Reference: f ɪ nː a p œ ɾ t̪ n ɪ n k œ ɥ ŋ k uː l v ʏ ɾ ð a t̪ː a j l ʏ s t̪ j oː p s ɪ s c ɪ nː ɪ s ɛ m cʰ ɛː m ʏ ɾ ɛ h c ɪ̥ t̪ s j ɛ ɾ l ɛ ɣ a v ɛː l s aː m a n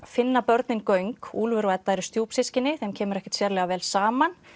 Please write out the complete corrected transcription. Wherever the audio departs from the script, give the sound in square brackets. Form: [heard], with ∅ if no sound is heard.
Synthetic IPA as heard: f ɪ nː a p œ ɾ t̪ n ɪ n k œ ɥ ŋ k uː l v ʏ ɾ [v] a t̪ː a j [ɾ] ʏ s t̪ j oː p s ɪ s c ɪ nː ɪ [θ] ɛ m cʰ ɛː m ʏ ɾ ɛ h c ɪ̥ t̪ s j ɛ ɾ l ɛ ɣ a v ɛː l s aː m a n